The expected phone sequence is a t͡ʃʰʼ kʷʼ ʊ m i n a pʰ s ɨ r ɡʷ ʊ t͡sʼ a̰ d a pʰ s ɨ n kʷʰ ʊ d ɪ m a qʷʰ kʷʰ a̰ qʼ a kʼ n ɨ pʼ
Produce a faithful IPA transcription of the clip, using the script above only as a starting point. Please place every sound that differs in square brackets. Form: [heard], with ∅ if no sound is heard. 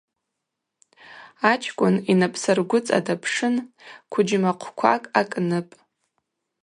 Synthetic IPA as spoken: a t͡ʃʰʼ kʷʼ ʊ [n] i n a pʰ s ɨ r ɡʷ ʊ t͡sʼ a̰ d a pʰ [ʂ] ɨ n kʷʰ ʊ [d͡ʒ] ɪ m a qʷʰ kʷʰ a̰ [kʼ] a kʼ n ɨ pʼ